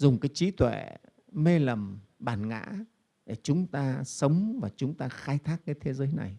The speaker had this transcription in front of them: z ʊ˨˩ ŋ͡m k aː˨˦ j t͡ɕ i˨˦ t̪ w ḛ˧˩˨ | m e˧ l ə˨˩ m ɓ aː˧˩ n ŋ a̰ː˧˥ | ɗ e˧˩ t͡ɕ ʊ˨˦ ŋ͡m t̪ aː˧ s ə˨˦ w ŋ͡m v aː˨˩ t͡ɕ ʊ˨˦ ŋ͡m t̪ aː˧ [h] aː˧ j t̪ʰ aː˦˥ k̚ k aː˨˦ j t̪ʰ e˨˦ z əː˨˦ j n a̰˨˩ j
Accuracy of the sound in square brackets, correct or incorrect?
incorrect